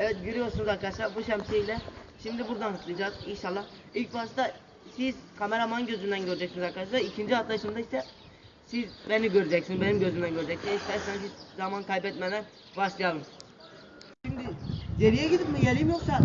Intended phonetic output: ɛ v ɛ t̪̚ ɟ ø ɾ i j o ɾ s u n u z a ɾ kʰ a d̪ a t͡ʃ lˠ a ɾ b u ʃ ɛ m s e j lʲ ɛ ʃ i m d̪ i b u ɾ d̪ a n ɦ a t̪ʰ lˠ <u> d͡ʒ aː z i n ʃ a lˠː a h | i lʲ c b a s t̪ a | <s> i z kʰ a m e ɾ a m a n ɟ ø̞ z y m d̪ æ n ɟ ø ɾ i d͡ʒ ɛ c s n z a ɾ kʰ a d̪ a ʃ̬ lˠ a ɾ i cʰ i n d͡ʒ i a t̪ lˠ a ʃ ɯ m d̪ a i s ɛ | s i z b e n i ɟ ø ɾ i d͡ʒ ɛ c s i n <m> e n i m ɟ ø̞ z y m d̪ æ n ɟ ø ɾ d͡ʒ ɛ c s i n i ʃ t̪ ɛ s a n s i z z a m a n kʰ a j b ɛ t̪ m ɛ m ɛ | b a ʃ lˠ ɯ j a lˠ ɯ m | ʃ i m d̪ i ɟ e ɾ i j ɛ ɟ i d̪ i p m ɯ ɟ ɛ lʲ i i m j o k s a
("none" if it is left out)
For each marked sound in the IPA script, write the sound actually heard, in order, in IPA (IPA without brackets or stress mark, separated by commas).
ɯ, s, b